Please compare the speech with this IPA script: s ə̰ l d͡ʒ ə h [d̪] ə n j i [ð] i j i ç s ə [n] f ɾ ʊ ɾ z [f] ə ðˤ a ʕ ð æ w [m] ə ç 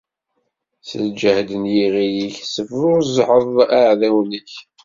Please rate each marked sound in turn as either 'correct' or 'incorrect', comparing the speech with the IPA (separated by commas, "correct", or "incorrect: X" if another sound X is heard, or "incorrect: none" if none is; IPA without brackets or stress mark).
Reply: correct, incorrect: ʁ, incorrect: none, incorrect: ħ, incorrect: n